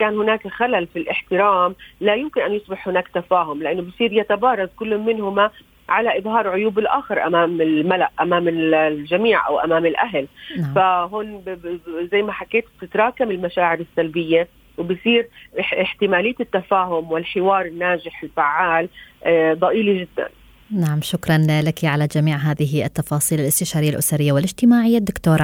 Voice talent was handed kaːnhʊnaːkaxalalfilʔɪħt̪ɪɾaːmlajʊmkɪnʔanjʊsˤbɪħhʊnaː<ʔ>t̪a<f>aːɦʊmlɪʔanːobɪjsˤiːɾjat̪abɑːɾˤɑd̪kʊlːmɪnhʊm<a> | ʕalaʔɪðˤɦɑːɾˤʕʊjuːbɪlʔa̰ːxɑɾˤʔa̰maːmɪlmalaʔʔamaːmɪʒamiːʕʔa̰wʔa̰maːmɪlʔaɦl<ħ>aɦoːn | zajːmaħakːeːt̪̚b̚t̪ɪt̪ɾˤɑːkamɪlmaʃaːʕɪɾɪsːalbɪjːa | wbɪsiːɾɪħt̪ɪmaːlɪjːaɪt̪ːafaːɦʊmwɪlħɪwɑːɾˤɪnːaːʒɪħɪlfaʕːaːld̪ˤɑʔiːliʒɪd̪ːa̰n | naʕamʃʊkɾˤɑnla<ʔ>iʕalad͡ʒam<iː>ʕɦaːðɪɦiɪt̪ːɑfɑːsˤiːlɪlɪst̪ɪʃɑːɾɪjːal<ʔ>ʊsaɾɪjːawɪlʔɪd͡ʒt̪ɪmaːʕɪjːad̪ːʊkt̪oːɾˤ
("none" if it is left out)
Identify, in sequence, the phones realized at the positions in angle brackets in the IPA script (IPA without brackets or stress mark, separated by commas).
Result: k, f, a, f, k, iː, ʔ